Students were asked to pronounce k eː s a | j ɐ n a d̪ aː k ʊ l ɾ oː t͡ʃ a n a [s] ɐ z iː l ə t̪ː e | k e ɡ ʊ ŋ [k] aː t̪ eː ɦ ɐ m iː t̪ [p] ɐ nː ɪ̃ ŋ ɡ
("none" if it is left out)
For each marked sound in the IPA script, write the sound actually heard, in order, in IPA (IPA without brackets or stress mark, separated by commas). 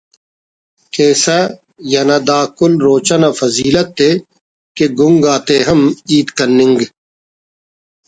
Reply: f, ɡ, k